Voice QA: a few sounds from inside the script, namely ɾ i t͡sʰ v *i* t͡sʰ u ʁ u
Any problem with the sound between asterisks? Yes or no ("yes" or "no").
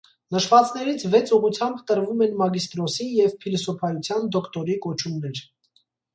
yes